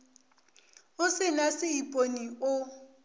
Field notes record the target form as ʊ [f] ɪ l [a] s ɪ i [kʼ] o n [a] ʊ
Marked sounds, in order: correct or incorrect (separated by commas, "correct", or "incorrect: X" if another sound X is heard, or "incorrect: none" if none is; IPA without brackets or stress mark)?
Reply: incorrect: s, correct, incorrect: pʼ, incorrect: i